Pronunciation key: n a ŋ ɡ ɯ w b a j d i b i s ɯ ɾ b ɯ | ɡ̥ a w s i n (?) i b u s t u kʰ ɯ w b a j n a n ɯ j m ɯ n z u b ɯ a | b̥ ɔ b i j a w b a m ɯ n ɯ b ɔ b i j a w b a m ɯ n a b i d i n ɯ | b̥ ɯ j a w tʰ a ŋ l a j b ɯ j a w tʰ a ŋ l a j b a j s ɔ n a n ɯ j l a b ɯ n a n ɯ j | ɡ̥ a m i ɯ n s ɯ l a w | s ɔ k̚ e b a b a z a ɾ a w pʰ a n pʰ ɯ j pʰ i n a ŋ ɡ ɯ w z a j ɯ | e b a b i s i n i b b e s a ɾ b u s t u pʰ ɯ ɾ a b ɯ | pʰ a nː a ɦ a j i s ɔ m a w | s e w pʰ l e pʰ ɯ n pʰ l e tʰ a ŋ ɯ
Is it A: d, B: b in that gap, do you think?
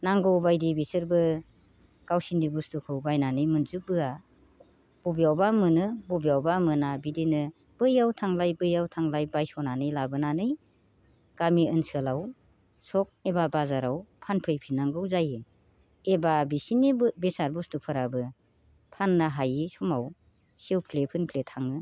A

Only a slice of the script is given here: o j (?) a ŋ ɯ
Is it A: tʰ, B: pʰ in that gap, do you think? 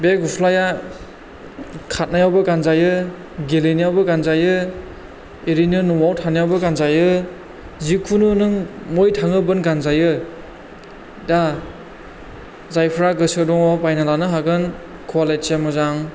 A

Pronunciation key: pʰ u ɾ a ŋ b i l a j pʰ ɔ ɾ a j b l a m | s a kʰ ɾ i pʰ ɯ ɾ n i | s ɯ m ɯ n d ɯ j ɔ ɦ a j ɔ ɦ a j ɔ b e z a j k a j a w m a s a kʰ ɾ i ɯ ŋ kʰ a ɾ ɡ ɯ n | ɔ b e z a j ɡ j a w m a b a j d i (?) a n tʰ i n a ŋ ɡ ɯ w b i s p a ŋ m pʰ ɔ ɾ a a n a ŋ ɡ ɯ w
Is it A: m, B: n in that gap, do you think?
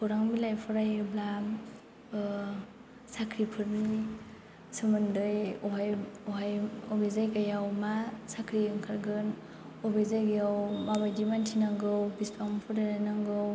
A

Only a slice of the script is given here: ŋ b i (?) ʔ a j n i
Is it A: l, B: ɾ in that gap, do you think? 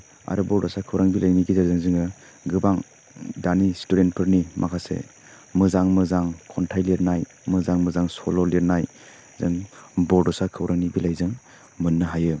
A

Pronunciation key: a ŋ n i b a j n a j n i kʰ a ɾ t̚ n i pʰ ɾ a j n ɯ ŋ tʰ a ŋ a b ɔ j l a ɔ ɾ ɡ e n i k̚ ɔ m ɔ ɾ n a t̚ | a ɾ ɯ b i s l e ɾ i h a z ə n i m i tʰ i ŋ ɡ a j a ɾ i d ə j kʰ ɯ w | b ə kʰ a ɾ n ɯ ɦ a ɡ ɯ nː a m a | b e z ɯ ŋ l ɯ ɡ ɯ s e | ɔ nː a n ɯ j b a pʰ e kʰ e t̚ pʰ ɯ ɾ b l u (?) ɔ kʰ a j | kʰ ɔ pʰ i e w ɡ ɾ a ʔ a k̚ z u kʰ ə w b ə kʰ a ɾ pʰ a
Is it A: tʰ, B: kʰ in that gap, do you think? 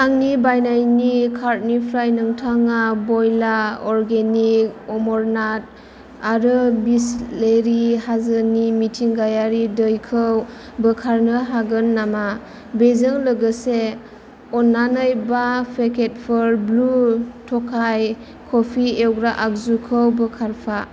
A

